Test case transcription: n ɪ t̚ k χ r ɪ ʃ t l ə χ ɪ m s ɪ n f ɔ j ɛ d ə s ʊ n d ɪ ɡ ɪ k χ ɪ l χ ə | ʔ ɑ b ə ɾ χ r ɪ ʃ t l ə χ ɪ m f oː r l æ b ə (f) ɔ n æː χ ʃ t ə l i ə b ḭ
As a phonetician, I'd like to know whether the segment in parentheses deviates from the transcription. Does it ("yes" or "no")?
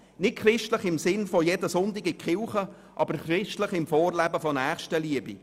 no